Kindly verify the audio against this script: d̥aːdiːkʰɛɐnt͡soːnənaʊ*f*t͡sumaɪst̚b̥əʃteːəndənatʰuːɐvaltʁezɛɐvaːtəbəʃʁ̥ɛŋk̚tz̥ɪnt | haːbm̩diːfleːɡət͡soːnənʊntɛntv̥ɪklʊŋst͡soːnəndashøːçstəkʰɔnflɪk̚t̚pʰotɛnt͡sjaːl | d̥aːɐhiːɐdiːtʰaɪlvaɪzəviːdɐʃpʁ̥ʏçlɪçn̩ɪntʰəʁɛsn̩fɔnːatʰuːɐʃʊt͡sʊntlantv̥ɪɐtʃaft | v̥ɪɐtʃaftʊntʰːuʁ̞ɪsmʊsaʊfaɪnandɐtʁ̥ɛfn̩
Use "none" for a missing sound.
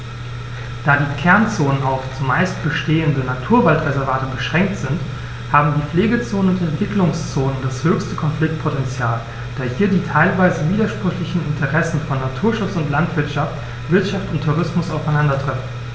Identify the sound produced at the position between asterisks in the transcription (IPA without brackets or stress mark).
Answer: f